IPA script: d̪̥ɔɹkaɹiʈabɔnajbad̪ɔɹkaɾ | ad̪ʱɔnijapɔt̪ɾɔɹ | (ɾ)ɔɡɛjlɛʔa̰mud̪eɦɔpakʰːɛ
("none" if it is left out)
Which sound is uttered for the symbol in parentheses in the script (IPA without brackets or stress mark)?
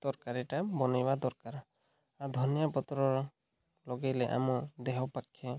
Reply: l